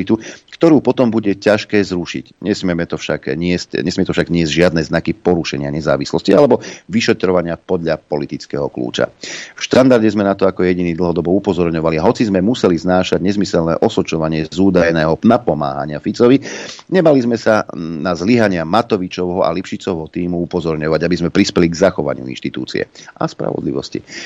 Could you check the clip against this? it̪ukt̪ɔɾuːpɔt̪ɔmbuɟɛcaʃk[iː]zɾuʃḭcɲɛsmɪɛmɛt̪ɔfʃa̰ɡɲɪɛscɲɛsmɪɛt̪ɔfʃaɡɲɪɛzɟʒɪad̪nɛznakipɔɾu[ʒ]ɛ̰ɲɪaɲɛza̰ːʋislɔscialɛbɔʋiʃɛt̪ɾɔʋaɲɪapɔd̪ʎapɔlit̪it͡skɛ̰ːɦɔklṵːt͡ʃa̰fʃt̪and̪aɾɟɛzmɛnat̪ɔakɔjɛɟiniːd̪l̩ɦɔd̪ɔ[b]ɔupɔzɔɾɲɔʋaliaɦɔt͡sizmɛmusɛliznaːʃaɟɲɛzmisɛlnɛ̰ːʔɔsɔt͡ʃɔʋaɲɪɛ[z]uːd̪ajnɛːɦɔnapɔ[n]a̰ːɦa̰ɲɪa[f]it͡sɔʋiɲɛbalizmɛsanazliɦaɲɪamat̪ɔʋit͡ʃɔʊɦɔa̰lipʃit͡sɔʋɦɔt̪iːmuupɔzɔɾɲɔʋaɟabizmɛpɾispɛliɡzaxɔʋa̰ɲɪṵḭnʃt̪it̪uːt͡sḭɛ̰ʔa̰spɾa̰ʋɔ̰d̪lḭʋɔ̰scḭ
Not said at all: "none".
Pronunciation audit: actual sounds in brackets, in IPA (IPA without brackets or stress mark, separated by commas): ɛː, ʃ, b, z, m, f